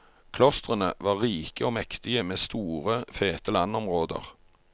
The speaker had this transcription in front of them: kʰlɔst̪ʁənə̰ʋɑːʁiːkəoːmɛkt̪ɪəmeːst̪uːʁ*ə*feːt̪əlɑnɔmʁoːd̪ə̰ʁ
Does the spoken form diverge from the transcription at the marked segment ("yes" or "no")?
no